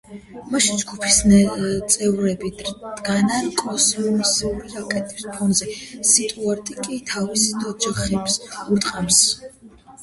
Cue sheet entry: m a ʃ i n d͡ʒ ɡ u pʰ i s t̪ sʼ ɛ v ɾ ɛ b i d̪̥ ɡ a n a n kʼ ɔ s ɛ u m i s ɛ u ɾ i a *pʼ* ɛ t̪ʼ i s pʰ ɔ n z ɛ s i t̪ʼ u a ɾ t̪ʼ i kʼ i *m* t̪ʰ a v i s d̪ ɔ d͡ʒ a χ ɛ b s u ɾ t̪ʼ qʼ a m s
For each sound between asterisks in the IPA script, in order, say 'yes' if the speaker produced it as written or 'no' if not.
no, no

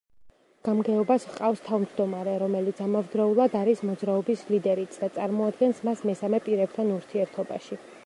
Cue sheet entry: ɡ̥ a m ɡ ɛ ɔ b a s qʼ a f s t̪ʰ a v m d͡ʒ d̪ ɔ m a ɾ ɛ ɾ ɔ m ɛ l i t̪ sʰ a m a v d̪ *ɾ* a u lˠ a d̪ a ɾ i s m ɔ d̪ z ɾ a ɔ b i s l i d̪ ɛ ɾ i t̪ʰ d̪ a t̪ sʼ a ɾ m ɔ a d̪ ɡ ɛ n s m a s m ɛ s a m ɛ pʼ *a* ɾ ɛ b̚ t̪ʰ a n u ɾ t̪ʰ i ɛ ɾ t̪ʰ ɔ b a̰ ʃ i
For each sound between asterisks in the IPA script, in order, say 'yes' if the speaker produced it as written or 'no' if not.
yes, no

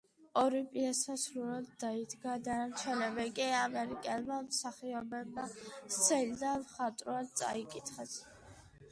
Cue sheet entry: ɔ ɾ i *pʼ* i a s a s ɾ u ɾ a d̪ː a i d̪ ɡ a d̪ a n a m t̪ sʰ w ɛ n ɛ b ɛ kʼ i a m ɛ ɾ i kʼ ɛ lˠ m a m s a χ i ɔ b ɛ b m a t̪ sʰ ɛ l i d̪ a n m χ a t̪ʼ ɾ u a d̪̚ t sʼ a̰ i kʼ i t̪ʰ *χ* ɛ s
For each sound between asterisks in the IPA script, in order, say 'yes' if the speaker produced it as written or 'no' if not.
yes, yes

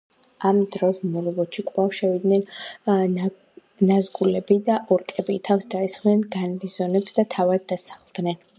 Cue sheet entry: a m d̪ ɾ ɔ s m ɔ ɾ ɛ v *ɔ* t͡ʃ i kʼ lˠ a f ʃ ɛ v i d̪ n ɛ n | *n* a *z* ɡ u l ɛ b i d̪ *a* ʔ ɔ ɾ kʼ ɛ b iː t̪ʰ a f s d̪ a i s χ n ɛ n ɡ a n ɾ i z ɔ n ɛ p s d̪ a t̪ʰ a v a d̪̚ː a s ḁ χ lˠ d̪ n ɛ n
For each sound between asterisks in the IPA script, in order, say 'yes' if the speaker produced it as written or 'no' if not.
yes, yes, yes, yes

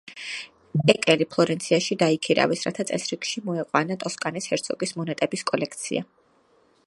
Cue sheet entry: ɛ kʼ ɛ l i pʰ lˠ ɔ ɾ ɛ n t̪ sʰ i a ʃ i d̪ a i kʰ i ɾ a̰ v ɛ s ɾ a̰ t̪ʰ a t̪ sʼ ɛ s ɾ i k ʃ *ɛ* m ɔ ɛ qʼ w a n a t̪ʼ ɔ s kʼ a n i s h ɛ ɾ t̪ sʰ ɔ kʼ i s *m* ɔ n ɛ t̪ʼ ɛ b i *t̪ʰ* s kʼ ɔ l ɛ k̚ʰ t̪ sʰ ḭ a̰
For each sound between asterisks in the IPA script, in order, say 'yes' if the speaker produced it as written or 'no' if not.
no, yes, no

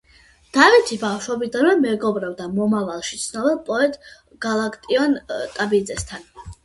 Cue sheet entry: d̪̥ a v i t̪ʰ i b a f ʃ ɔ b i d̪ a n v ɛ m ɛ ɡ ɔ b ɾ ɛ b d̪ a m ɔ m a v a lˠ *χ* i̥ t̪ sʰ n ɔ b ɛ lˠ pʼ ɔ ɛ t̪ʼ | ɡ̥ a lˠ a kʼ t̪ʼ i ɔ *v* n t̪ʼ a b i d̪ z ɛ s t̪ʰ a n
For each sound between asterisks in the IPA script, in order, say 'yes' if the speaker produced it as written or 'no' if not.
no, no

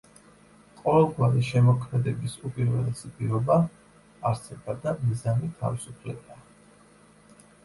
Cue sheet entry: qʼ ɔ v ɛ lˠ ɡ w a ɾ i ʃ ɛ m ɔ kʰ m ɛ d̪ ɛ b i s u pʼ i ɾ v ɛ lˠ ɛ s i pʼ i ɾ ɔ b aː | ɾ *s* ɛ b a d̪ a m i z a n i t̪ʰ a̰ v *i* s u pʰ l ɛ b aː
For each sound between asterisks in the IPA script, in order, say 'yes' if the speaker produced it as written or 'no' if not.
yes, yes

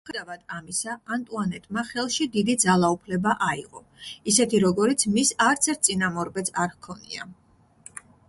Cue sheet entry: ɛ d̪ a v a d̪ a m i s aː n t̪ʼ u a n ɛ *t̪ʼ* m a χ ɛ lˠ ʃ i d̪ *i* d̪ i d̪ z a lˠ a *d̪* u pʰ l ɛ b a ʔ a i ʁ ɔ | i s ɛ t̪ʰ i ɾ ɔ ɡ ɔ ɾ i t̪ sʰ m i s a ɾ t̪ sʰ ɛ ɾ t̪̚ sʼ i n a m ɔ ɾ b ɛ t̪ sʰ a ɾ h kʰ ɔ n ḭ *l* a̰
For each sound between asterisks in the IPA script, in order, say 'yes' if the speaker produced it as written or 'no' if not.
yes, yes, no, no

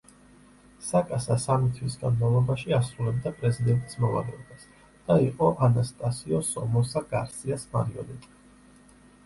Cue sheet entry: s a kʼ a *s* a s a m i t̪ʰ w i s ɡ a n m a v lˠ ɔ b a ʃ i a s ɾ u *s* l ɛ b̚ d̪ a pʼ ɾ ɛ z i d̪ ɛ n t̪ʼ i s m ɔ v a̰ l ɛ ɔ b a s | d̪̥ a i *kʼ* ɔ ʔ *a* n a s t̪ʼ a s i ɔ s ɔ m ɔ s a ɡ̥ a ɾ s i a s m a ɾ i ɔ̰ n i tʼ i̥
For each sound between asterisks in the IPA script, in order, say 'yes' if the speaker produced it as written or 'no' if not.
yes, no, no, yes

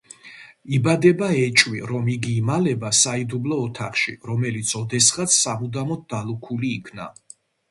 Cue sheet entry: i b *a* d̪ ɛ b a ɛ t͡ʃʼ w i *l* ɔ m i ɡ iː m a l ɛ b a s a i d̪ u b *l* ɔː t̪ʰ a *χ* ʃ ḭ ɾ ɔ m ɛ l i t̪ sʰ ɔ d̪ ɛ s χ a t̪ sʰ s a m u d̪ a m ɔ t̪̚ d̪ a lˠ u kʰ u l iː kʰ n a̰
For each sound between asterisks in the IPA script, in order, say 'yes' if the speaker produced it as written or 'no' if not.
yes, no, yes, yes

